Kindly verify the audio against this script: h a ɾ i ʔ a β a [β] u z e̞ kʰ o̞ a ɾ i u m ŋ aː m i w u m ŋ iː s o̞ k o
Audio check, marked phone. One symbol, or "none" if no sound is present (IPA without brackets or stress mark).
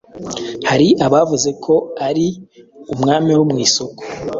v